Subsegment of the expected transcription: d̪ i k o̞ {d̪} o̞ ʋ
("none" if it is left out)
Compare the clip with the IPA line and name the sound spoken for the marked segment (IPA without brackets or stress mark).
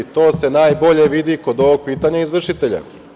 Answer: d̪